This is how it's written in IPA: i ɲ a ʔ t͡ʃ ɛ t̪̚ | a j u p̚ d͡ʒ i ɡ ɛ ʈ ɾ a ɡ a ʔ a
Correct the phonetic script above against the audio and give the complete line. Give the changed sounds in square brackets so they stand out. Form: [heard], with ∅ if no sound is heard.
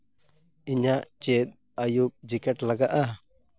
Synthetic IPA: i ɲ a ʔ t͡ʃ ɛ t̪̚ | a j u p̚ d͡ʒ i [k] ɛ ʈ [l] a ɡ a ʔ a